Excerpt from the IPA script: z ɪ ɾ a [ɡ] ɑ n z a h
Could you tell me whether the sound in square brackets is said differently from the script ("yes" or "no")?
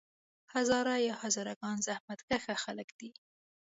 no